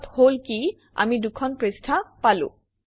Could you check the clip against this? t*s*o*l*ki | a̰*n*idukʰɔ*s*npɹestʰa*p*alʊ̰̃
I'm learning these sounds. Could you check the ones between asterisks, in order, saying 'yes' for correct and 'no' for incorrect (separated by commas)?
no, yes, no, no, yes